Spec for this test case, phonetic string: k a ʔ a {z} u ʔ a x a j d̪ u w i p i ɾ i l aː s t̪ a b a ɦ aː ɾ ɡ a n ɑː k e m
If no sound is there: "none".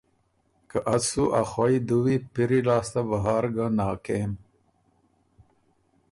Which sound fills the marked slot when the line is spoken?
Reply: s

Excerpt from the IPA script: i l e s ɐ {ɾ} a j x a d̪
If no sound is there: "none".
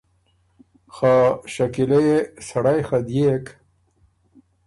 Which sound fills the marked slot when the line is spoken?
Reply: ɽ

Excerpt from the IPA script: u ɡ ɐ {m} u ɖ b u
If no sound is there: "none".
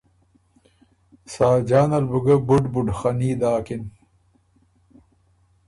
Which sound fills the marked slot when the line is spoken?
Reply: b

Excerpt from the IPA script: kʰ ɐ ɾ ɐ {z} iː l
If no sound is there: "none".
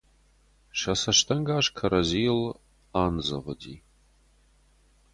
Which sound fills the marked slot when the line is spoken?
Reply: z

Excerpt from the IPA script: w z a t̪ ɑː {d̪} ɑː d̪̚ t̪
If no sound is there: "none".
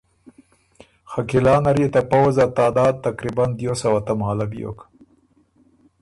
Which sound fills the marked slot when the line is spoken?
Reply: d̪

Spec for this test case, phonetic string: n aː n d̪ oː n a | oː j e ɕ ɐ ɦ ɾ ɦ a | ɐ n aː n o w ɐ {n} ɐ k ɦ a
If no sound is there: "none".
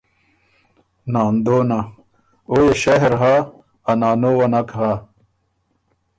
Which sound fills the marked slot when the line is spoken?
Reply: n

